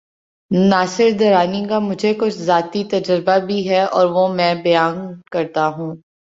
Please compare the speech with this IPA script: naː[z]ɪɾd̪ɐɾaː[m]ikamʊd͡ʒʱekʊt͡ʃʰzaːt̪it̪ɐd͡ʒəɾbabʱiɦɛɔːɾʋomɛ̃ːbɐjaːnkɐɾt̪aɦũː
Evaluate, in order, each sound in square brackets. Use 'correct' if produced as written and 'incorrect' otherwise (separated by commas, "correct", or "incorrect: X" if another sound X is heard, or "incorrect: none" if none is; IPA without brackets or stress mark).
incorrect: s, incorrect: n